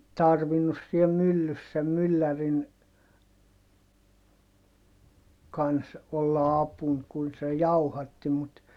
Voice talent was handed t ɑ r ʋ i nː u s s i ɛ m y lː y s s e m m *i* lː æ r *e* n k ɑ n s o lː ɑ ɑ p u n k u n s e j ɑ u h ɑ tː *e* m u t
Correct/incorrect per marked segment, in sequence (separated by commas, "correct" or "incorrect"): incorrect, incorrect, incorrect